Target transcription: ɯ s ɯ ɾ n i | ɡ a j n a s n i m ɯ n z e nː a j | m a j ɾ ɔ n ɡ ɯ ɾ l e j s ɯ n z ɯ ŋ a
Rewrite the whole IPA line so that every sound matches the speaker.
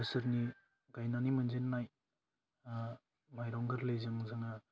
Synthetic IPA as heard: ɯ s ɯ ɾ n i | ɡ a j n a n i m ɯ n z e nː a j | m a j ɾ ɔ ŋ ɡ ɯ ɾ l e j z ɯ ŋ z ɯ ŋ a